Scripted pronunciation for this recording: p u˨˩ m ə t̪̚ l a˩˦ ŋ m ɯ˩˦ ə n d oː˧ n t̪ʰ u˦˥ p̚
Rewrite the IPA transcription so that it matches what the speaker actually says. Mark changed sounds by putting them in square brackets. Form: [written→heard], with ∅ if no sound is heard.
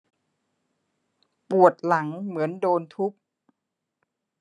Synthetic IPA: p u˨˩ [m→∅] ə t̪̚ l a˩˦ ŋ m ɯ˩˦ ə n d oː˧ n t̪ʰ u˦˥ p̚

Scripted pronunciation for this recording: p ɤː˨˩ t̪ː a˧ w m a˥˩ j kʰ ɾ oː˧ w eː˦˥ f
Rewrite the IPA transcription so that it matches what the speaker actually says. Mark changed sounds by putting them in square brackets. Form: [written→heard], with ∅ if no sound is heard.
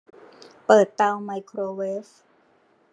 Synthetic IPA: p ɤː˨˩ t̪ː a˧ w m [a˥˩→a˧] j kʰ ɾ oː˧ w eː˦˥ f

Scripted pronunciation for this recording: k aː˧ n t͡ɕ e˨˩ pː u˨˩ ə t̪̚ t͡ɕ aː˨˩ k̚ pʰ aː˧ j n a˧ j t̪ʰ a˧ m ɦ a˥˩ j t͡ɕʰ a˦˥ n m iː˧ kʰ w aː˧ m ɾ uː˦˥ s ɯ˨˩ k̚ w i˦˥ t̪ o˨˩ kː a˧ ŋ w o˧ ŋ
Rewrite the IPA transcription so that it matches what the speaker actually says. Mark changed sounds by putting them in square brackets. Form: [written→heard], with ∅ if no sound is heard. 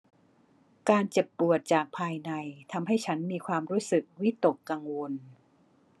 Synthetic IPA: k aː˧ n t͡ɕ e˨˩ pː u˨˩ ə t̪̚ t͡ɕ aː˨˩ k̚ pʰ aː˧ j n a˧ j t̪ʰ a˧ m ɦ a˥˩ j t͡ɕʰ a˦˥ n m iː˧ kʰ w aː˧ m ɾ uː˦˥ s ɯ˨˩ k̚ w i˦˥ t̪ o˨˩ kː a˧ ŋ w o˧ [ŋ→n]

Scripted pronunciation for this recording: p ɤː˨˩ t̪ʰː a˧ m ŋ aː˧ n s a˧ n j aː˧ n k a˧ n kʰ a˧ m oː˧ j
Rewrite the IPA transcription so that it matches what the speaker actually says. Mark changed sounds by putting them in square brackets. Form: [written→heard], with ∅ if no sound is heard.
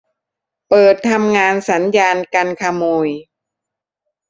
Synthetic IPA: p ɤː˨˩ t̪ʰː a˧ m ŋ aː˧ n s [a˧→a˩˦] n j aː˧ n k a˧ n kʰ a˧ m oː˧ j

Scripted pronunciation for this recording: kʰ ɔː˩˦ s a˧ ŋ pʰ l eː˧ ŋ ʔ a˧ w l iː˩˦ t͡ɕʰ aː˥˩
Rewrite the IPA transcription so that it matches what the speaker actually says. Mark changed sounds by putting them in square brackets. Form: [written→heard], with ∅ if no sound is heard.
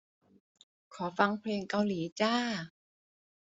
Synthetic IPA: kʰ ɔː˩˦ [s→f] a˧ ŋ pʰ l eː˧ ŋ [ʔ→k] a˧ w l iː˩˦ [t͡ɕʰ→t͡ɕ] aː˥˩

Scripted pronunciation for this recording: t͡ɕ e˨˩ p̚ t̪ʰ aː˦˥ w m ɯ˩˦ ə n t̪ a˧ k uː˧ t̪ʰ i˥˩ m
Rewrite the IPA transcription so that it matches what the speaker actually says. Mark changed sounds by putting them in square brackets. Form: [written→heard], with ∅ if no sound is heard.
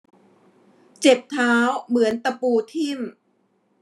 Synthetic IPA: t͡ɕ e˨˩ p̚ t̪ʰ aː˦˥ w m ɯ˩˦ ə n t̪ a˧ [k→p] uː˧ t̪ʰ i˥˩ m

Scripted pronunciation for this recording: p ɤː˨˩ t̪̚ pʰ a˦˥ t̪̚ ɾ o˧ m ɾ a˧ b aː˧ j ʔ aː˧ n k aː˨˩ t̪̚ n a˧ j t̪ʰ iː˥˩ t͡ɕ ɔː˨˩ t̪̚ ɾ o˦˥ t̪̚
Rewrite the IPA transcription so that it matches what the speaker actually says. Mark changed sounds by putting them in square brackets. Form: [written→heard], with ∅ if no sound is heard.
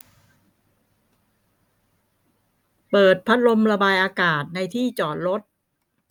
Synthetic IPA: p ɤː˨˩ t̪̚ pʰ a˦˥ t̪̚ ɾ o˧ m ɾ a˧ b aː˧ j ʔ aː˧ [n→∅] k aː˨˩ t̪̚ n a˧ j t̪ʰ iː˥˩ t͡ɕ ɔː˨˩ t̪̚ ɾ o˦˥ t̪̚

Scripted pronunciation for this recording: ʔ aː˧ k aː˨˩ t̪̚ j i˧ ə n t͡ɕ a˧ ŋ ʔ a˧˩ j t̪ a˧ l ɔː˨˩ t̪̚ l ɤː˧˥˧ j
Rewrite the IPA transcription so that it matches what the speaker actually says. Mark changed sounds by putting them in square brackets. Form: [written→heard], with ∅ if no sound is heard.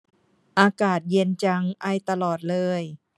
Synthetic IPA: ʔ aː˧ k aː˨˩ t̪̚ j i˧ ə n t͡ɕ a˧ ŋ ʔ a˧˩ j t̪ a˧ l ɔː˨˩ t̪̚ l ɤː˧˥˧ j

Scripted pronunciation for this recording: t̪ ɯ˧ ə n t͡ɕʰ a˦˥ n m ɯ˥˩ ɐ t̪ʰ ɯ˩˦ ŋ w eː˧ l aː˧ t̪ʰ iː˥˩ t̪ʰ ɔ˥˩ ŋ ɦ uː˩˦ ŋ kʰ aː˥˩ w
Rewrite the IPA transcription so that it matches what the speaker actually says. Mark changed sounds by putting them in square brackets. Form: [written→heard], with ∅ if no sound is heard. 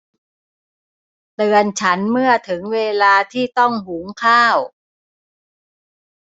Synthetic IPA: t̪ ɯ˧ ə n t͡ɕʰ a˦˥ n m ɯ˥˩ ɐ t̪ʰ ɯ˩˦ ŋ w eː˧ l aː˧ t̪ʰ iː˥˩ [t̪ʰ→t̪] ɔ˥˩ ŋ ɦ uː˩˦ ŋ kʰ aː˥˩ w

